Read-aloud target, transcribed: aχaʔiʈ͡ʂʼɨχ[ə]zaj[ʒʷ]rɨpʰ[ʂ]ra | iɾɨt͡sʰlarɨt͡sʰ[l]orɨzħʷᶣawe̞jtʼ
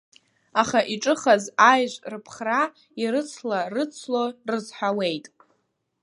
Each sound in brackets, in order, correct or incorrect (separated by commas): incorrect, correct, incorrect, correct